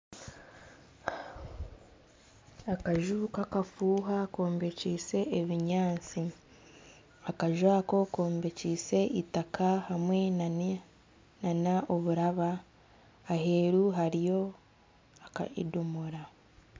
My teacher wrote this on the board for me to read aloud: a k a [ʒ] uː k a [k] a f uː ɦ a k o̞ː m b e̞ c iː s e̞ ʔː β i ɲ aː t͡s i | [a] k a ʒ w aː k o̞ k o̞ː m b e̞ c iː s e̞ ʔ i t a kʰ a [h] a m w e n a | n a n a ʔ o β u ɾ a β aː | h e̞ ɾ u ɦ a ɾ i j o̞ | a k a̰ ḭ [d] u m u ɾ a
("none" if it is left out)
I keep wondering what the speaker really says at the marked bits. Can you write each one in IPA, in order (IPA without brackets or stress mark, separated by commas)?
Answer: ʒ, k, a, h, d